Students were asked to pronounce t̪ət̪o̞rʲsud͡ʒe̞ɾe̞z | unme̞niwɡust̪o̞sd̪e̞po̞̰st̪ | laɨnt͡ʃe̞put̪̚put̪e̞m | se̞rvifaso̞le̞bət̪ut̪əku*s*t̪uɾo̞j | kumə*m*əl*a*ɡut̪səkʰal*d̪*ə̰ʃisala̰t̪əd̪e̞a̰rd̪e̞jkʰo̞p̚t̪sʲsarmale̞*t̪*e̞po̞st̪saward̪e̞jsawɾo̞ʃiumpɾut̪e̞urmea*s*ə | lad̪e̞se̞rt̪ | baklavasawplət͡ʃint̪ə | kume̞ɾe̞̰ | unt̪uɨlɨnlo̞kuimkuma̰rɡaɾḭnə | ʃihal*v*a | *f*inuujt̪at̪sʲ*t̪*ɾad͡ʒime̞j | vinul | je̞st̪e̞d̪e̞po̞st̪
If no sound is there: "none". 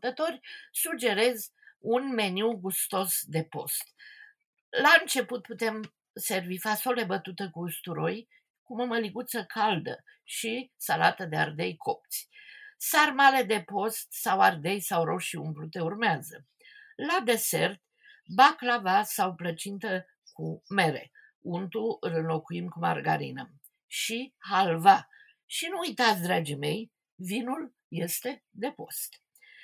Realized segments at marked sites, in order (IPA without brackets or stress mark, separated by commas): s, m, i, d̪, d̪, z, v, ʃ, d̪